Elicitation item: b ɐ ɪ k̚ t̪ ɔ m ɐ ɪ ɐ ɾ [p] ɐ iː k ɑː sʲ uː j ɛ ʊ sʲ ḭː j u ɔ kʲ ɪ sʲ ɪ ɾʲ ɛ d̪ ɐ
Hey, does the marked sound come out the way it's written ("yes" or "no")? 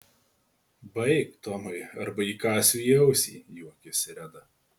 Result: no